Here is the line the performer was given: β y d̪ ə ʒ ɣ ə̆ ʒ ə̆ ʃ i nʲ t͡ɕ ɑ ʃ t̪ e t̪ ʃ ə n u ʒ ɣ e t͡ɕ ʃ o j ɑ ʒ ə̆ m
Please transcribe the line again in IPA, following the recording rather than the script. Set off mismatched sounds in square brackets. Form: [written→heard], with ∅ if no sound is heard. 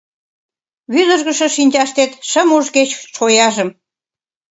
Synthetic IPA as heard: β y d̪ ə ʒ ɣ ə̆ [ʒ→ʃ] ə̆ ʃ i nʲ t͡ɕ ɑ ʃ t̪ e t̪ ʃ ə [n→m] u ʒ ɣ e t͡ɕ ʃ o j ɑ ʒ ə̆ m